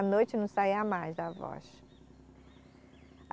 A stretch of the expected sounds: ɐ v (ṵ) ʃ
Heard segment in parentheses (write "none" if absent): ɔ̰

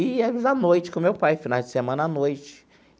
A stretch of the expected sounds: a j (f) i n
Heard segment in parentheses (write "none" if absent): f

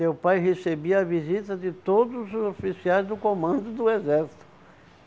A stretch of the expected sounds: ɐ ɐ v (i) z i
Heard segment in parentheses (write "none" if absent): i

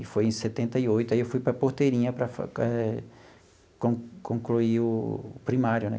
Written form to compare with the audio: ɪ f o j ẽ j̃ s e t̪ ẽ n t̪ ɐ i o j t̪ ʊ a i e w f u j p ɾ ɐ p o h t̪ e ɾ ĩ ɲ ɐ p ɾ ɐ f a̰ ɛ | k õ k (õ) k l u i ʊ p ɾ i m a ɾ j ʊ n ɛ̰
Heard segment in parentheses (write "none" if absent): õ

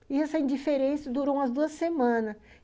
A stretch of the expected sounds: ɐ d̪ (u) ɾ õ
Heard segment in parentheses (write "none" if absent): u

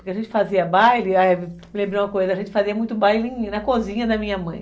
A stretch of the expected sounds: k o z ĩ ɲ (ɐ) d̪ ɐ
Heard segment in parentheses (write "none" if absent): ɐ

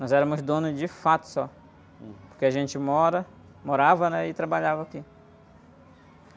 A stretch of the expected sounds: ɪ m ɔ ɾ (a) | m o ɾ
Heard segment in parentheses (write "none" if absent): ɐ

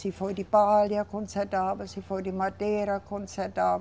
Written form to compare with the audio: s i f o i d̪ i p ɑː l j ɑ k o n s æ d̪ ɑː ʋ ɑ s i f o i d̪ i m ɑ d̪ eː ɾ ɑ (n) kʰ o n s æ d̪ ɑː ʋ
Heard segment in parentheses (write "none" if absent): none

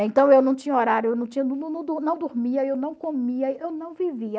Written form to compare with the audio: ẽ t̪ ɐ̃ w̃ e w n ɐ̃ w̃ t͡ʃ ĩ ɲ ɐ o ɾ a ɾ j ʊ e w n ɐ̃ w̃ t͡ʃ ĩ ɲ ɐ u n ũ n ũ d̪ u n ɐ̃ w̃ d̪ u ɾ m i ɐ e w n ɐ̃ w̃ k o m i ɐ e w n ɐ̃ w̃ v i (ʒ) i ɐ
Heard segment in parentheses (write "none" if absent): v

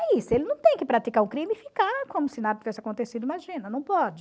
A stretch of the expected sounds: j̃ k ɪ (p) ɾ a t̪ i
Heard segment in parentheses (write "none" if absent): p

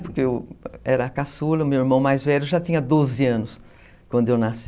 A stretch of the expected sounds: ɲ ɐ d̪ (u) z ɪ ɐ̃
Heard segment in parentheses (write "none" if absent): o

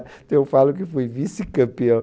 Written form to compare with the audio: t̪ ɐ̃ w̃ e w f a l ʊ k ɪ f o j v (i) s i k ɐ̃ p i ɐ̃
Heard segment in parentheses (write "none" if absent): i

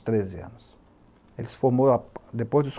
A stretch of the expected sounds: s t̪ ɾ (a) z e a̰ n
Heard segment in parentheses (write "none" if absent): e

